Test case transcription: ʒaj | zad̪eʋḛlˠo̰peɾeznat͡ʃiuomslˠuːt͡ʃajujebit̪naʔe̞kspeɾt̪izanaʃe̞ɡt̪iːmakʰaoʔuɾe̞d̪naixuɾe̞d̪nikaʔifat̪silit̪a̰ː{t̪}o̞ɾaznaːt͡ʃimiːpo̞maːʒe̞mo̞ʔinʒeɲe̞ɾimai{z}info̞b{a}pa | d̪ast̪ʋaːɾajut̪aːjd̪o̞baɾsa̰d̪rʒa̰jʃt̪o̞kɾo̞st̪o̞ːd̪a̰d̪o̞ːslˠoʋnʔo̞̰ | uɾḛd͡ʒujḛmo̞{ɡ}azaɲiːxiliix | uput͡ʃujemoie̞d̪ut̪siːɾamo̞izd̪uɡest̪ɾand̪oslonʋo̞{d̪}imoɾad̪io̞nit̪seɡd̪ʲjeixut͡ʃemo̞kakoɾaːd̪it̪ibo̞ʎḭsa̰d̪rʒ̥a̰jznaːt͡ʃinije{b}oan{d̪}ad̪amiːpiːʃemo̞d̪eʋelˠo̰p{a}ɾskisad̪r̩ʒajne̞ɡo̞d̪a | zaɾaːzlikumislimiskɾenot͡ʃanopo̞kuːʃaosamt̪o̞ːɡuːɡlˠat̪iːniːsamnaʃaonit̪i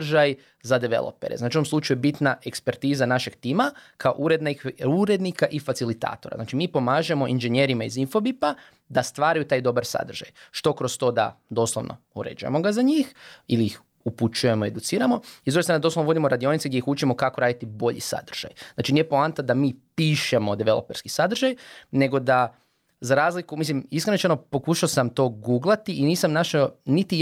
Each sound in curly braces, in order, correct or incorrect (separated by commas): correct, correct, incorrect, correct, correct, incorrect, incorrect, incorrect